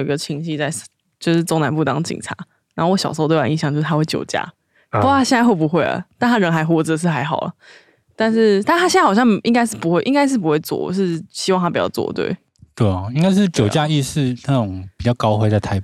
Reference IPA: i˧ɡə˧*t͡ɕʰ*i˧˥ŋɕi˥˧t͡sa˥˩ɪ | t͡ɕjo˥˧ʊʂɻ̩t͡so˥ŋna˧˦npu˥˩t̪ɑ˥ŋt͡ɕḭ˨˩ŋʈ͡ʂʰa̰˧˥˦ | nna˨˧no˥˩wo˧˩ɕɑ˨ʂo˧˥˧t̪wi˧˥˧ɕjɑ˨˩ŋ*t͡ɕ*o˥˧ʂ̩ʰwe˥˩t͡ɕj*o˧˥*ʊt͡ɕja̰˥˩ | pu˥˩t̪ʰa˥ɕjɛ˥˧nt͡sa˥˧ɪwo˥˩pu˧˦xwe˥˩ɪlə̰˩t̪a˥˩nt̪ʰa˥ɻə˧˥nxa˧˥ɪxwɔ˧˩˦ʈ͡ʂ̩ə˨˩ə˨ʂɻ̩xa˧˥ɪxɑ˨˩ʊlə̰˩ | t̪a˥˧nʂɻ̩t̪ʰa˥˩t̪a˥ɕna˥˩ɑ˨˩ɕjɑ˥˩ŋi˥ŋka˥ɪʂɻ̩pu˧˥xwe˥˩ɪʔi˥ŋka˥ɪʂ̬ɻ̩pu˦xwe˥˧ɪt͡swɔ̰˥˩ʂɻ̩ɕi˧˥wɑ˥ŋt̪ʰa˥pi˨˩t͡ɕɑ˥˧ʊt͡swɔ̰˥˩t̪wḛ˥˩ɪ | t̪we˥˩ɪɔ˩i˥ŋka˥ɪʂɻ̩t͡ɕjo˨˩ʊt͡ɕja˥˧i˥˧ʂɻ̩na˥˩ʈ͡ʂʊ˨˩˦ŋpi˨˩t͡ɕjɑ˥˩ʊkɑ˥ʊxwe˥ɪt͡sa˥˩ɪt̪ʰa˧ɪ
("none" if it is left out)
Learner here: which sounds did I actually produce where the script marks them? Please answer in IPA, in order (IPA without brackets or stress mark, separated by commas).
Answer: t͡ɕʰ, t͡ɕ, o˨˩